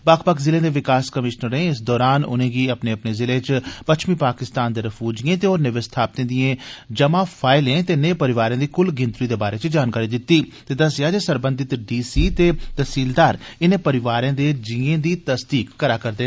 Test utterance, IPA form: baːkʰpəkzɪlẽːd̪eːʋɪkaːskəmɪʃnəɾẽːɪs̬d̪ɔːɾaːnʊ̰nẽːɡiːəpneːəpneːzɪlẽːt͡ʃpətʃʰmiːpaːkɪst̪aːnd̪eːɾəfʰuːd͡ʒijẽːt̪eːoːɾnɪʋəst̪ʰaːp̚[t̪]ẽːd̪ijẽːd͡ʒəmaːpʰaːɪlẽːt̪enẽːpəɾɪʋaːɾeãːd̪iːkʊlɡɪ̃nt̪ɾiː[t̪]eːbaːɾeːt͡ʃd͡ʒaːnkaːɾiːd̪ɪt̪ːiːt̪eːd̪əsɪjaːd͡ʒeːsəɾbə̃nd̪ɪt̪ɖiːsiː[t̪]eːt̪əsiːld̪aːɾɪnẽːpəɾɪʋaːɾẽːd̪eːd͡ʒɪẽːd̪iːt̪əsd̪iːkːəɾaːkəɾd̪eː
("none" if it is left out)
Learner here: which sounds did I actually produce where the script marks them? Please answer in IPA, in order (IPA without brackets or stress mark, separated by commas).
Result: t̪, d̪, t̪